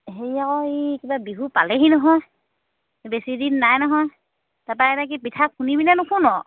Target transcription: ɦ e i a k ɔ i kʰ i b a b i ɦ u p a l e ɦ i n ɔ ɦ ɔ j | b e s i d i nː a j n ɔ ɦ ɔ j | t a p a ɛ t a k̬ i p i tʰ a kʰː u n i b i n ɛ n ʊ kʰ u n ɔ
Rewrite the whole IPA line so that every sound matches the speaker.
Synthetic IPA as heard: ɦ e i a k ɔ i k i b a b i ɦ u p a l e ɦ i n ɔ ɦ ɔ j | b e s i d i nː a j n ɔ ɦ ɔ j | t a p a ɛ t a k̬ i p i tʰ a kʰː u n i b i n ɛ n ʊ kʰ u n ɔ